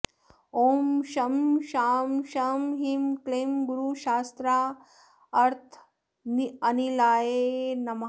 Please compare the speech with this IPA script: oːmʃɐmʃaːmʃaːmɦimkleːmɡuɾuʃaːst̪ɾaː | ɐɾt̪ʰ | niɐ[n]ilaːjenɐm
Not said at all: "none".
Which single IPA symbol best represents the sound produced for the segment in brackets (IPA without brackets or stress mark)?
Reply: n